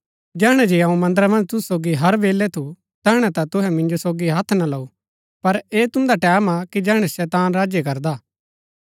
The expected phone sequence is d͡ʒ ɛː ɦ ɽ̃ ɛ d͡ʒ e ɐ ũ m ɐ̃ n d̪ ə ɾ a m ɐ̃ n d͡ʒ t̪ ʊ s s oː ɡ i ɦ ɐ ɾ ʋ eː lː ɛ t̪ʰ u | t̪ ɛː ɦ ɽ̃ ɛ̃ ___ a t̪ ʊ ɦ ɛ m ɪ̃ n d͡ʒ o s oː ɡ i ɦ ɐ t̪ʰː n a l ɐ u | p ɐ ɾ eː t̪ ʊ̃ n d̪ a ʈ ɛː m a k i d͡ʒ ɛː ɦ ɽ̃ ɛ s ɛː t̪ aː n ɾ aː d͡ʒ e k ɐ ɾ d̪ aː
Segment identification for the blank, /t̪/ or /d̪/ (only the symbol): t̪